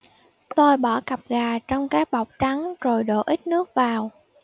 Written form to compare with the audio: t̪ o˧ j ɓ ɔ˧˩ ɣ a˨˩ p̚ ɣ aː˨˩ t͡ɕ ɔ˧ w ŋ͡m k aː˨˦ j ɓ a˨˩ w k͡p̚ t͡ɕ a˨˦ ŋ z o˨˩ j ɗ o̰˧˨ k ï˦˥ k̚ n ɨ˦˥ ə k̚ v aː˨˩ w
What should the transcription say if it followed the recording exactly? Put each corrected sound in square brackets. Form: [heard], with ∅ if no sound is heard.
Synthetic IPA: t̪ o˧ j ɓ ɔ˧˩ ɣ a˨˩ p̚ ɣ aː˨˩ t͡ɕ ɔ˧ w ŋ͡m k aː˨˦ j ɓ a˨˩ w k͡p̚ t͡ɕ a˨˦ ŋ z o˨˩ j ɗ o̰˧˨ [ʔ] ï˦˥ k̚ n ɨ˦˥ ə k̚ v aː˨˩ w